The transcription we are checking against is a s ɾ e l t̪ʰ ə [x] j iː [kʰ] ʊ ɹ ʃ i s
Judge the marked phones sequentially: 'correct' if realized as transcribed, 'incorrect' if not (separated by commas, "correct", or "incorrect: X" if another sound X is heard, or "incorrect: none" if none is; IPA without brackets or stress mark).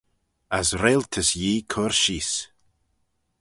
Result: incorrect: s, correct